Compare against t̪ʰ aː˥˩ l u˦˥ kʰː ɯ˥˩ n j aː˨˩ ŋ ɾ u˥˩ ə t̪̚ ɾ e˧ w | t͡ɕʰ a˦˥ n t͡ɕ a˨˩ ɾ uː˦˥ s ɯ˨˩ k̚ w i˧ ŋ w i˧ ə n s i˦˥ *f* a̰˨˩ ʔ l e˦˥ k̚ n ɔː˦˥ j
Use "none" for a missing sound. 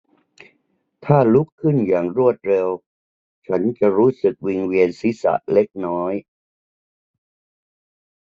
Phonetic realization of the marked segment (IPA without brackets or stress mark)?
s